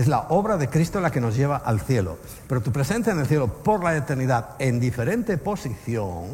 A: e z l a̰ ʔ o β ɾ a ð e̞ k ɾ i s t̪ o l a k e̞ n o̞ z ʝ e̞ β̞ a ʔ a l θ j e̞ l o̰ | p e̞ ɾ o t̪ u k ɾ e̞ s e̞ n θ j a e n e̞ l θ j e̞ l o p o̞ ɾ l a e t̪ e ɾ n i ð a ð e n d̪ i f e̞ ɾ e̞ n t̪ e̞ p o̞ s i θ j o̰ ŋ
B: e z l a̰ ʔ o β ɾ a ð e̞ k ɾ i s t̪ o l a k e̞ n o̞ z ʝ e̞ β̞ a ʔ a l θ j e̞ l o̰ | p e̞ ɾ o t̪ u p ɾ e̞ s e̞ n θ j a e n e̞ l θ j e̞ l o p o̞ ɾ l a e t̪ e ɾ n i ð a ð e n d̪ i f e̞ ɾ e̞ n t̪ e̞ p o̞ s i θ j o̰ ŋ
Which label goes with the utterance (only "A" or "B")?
B